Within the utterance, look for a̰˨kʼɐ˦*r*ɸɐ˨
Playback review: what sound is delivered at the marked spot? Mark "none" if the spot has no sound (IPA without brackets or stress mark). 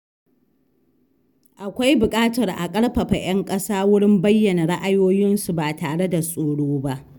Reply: ɽ